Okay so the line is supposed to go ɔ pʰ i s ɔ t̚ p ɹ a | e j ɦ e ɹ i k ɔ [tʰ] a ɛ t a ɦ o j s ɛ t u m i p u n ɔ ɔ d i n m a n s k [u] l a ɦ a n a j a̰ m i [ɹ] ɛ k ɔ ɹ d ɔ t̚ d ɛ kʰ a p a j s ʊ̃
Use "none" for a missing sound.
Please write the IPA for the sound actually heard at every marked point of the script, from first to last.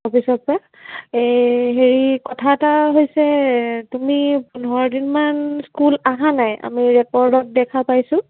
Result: tʰ, u, ɹ

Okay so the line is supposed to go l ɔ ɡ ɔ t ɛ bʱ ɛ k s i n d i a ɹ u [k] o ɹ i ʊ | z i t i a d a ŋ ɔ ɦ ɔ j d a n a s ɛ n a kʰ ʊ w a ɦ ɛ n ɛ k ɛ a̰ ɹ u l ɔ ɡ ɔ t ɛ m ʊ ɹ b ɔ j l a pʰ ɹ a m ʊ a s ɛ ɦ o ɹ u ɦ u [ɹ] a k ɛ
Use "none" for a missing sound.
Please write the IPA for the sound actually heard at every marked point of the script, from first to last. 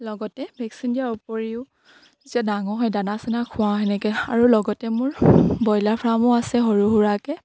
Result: p, ɹ

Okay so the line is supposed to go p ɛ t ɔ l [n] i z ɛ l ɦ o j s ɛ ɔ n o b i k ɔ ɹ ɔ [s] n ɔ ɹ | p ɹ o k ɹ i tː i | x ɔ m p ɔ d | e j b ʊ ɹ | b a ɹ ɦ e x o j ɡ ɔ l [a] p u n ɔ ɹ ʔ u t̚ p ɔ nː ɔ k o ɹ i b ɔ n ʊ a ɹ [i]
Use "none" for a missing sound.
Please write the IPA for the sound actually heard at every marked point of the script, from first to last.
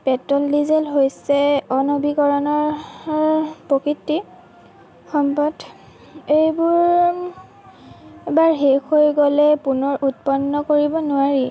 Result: d, none, ɛ, i

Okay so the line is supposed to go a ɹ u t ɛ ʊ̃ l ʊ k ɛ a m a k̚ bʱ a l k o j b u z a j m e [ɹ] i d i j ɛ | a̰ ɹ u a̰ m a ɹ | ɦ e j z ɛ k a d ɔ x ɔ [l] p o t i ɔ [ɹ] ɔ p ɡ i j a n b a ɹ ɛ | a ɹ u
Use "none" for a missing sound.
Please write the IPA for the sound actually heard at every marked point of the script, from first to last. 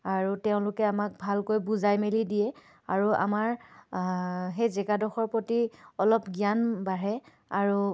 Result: l, ɹ, l

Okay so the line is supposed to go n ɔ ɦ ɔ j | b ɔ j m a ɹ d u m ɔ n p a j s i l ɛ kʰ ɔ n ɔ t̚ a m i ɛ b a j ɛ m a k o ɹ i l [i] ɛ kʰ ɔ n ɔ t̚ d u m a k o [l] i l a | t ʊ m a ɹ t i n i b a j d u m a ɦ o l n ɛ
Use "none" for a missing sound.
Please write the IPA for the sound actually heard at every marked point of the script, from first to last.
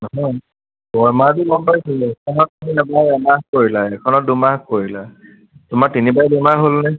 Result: a, ɹ

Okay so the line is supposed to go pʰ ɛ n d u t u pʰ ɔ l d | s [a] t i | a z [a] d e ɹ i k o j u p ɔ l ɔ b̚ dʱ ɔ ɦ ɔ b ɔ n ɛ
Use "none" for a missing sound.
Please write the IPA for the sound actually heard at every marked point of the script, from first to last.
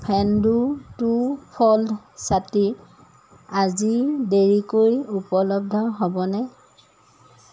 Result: a, i

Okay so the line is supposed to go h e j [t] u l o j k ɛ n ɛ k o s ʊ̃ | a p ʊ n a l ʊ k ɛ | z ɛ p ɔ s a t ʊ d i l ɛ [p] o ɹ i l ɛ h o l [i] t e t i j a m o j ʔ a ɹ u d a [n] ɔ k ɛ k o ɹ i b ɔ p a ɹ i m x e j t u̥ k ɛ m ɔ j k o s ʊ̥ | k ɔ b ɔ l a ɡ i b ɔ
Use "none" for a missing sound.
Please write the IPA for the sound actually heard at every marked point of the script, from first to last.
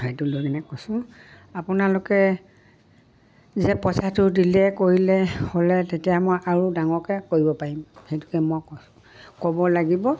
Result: t, k, ɛ, ŋ

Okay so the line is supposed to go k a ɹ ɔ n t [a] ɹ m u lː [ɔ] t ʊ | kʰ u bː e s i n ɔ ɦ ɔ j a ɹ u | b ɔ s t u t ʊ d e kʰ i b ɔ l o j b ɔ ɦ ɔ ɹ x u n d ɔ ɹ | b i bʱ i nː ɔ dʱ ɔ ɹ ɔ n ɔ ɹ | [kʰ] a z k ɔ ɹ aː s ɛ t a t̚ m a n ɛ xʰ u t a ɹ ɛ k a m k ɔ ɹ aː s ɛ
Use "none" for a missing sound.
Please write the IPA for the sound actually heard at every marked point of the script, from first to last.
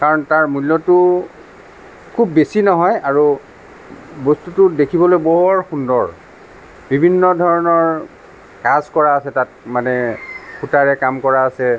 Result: a, ɔ, k

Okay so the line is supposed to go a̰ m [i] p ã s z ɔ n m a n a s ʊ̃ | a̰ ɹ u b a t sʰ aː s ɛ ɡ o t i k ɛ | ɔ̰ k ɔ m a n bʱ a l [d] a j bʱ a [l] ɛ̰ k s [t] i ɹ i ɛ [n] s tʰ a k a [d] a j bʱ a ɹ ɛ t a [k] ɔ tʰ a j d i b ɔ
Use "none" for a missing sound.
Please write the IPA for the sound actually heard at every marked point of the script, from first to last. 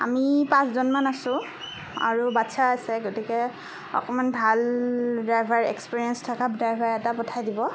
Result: i, d, ɹ, p, n, d, p

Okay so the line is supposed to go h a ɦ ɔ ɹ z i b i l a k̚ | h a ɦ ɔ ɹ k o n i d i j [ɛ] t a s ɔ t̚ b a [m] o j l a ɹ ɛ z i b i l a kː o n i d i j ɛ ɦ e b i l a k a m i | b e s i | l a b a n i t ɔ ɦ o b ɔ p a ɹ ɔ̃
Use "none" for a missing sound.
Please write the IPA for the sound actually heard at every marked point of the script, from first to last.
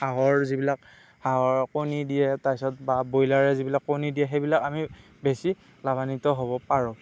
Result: ɛ, b

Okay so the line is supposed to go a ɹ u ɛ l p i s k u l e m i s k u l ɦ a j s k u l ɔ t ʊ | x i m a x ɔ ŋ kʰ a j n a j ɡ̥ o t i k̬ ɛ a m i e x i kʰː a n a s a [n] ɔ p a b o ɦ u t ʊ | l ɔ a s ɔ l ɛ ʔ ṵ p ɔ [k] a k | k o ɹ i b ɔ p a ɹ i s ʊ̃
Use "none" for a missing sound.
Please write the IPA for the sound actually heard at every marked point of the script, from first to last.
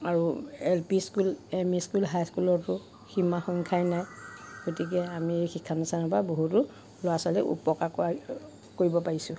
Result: n, k

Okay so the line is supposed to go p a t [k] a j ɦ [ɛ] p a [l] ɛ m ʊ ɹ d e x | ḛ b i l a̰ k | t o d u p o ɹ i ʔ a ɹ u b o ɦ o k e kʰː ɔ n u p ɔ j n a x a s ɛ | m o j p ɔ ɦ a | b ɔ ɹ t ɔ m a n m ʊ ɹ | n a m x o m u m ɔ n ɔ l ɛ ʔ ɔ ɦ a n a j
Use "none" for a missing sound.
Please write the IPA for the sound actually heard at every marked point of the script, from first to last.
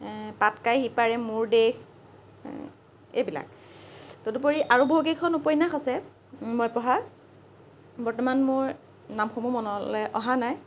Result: k, i, ɹ

